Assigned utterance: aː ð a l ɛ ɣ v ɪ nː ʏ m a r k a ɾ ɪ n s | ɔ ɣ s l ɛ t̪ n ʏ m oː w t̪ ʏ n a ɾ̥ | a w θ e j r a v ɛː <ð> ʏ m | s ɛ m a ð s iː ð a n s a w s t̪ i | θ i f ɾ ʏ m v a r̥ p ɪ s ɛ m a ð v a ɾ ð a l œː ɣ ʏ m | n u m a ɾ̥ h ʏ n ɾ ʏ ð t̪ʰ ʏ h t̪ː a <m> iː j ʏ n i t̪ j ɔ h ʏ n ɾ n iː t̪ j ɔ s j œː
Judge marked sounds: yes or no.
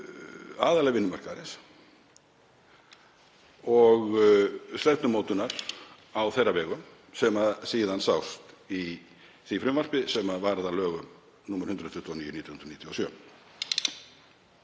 no, no

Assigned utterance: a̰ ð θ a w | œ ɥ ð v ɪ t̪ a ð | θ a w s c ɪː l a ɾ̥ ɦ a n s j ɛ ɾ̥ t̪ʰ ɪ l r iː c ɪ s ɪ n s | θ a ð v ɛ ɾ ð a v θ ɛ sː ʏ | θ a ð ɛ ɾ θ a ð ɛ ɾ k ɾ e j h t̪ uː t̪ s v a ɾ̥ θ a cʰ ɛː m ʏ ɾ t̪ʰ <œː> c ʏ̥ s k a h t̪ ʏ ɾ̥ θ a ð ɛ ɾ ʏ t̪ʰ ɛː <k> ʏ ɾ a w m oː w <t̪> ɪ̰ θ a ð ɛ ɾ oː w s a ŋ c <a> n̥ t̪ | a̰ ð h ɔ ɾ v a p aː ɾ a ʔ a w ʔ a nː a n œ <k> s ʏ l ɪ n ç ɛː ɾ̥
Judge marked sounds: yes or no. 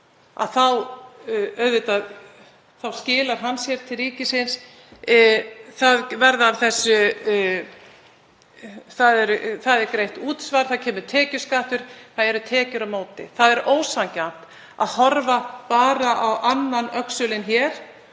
no, no, yes, yes, yes

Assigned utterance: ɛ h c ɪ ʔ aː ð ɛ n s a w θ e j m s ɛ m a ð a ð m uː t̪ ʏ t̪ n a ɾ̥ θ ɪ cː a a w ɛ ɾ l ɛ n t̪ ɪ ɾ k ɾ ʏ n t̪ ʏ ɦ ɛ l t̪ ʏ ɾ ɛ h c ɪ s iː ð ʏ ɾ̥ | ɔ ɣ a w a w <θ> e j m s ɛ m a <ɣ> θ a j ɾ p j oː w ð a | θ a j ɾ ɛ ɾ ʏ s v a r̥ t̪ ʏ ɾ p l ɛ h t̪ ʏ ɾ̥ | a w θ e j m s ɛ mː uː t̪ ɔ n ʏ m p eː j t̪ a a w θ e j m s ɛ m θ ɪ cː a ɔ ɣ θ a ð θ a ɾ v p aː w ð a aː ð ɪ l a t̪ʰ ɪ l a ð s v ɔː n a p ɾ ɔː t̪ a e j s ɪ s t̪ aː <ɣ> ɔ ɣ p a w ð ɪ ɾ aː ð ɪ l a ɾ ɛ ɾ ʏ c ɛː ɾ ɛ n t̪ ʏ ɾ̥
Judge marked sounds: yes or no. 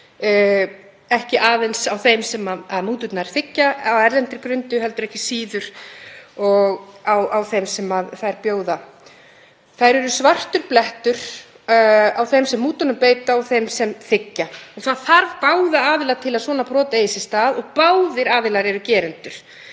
yes, no, no

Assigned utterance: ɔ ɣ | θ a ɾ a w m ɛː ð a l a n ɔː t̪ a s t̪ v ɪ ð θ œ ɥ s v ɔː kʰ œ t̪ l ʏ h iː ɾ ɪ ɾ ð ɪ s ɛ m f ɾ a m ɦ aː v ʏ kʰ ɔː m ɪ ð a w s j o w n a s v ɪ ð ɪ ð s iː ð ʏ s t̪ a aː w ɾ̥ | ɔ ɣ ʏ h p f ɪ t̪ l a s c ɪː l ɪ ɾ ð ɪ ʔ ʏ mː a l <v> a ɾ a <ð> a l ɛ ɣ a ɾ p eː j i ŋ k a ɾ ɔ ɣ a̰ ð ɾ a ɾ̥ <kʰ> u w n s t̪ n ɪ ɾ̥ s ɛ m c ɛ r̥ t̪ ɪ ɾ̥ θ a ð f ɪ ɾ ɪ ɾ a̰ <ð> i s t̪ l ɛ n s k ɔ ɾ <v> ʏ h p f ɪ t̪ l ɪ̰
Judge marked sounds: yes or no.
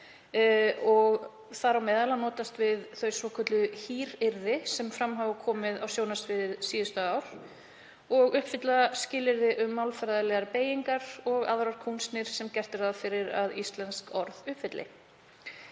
no, yes, yes, yes, no

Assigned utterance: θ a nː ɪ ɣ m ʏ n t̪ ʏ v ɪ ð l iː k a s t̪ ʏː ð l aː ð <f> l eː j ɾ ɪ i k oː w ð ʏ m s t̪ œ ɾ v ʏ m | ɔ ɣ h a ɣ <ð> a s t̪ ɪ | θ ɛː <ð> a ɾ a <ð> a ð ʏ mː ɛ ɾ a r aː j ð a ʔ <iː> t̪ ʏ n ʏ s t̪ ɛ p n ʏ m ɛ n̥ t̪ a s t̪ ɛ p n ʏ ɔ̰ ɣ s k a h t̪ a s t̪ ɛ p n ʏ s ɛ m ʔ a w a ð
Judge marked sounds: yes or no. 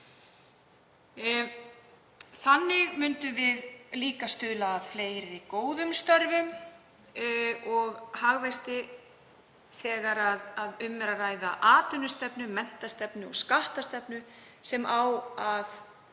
yes, no, no, yes, no

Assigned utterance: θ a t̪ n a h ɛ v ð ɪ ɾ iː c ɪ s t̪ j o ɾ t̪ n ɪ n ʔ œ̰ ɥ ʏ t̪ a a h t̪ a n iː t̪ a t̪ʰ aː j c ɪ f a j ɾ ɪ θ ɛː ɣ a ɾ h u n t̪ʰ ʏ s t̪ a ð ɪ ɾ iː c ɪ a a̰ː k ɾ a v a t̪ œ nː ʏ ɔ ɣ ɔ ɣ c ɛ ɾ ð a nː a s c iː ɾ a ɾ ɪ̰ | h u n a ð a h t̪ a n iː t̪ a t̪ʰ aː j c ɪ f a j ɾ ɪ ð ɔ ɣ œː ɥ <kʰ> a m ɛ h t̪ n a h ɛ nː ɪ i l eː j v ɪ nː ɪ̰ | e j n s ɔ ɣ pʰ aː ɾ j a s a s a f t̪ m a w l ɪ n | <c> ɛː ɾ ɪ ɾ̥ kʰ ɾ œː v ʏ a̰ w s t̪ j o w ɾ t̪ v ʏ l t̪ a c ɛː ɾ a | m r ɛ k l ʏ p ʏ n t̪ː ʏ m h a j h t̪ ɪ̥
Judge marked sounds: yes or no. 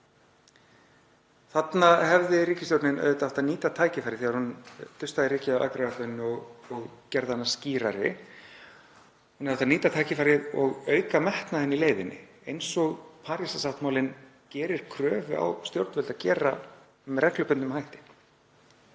no, yes

